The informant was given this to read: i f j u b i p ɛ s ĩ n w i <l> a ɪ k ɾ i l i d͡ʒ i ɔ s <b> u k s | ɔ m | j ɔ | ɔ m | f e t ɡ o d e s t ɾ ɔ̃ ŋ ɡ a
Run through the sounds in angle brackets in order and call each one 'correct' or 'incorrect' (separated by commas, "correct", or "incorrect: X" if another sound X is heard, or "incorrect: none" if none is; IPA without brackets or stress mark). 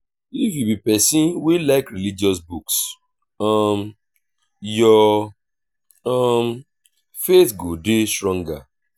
correct, correct